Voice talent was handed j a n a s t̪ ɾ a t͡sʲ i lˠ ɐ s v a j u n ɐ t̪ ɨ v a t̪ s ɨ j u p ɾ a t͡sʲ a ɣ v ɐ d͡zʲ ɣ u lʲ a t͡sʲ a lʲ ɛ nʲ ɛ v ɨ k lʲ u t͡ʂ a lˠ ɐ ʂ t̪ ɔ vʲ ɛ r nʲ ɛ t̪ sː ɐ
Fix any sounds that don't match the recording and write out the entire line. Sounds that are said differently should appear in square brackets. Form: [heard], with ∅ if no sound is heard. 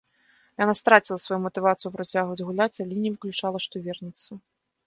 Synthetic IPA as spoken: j a n a s t̪ ɾ a t͡sʲ i lˠ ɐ s v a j u [m] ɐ t̪ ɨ v a t̪ s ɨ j u p ɾ a t͡sʲ a ɣ v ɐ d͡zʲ ɣ u lʲ a t͡sʲ a lʲ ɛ nʲ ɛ v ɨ k lʲ u t͡ʂ a lˠ ɐ ʂ t̪ ɔ vʲ ɛ r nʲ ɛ t̪ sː ɐ